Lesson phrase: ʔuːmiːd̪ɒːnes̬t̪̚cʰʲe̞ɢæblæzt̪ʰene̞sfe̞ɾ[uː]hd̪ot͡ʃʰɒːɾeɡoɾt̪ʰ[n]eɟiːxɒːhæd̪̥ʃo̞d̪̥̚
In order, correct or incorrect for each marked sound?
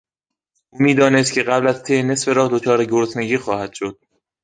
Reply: incorrect, correct

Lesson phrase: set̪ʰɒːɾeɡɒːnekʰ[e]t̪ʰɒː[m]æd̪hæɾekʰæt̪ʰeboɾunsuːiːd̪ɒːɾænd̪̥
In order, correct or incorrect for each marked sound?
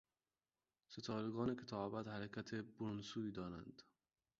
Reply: correct, incorrect

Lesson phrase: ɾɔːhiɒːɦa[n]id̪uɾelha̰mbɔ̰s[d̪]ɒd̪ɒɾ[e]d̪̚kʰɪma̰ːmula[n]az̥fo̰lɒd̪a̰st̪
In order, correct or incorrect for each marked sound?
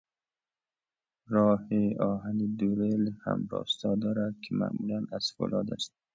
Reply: correct, incorrect, incorrect, correct

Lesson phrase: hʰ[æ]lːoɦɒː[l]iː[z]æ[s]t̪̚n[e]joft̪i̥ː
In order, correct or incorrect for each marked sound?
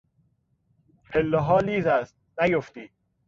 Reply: incorrect, correct, correct, correct, incorrect

